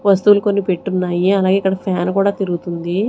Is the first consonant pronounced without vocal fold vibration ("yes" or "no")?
no